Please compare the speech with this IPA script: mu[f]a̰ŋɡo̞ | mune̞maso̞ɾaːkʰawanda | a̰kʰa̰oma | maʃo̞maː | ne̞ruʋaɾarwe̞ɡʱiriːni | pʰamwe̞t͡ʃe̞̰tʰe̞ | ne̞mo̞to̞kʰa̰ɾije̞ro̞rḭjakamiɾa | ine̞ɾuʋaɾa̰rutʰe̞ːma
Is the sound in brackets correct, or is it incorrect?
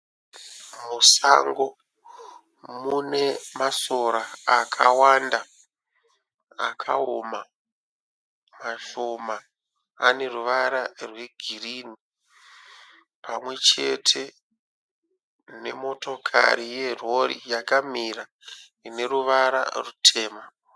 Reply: incorrect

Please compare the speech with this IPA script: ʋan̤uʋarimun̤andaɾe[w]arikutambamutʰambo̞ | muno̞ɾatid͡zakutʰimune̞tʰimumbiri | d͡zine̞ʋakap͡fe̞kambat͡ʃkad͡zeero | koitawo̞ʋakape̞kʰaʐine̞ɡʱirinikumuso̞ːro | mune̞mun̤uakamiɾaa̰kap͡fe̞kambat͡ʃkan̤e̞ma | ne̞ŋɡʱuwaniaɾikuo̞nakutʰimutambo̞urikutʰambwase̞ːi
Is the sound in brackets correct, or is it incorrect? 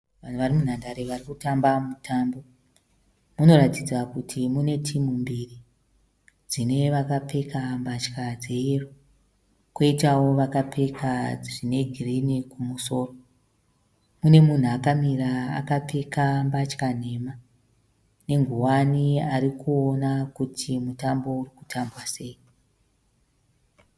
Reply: incorrect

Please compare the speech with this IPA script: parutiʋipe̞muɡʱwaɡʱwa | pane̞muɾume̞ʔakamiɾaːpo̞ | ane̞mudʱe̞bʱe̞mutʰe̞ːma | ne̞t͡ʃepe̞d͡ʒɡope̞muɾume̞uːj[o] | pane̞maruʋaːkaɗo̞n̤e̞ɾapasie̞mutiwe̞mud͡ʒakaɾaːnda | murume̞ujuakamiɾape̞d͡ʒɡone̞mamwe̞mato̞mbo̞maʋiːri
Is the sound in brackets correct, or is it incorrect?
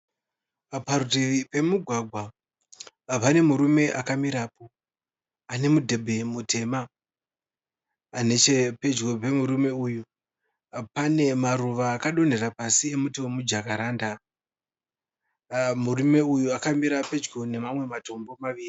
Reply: incorrect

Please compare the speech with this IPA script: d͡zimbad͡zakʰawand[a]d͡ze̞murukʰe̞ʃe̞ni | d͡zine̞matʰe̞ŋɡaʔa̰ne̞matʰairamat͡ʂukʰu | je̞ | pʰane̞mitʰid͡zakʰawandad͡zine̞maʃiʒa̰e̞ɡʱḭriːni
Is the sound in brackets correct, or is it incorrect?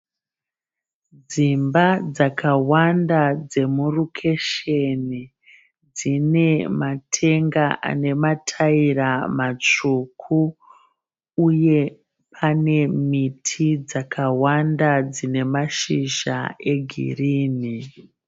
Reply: correct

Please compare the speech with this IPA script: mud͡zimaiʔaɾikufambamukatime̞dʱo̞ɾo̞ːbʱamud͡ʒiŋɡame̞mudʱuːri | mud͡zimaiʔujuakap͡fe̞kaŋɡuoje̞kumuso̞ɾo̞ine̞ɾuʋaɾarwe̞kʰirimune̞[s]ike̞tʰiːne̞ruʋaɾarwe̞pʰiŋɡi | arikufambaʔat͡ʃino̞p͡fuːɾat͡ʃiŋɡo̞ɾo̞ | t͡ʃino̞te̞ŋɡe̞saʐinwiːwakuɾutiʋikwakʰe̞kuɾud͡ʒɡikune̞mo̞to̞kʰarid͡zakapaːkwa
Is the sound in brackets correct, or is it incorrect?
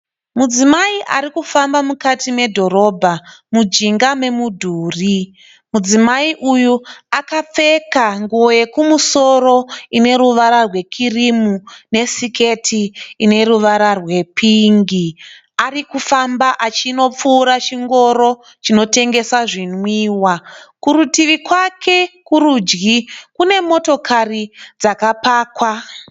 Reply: correct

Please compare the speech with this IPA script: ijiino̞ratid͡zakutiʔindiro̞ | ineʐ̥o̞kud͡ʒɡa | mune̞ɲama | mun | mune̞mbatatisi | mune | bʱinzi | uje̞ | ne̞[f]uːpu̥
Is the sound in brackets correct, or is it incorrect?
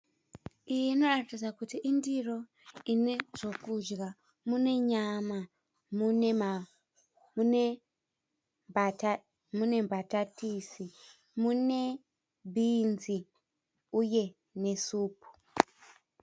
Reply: incorrect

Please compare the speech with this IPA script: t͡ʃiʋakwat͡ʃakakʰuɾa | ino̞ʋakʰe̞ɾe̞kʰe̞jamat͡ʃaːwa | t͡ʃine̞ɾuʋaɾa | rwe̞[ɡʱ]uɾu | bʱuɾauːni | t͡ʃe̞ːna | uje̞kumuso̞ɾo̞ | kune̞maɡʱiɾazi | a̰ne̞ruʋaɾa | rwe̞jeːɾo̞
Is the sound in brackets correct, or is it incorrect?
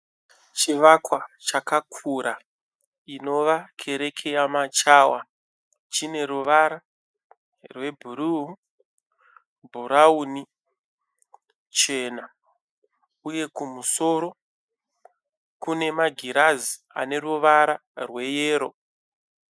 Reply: incorrect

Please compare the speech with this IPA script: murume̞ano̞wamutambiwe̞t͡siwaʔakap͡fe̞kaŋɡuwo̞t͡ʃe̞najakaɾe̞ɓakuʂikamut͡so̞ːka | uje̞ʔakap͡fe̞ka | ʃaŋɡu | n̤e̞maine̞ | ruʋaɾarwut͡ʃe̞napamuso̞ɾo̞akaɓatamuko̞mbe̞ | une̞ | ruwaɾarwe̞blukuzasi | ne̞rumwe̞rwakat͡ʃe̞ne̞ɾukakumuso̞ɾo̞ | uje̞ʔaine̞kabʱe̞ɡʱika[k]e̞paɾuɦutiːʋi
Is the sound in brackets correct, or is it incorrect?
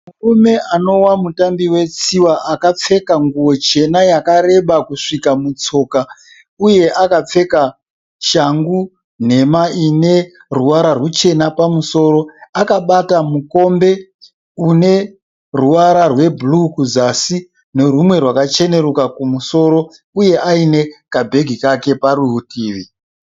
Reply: correct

